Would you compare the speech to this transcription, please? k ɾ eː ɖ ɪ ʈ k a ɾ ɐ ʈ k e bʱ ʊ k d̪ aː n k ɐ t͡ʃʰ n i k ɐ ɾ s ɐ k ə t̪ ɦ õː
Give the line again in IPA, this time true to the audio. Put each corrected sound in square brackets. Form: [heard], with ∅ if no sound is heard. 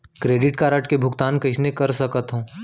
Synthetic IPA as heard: k ɾ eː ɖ ɪ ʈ k a ɾ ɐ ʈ k e bʱ ʊ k [t̪] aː n k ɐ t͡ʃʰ n [e] k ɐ ɾ s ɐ k ə t̪ ɦ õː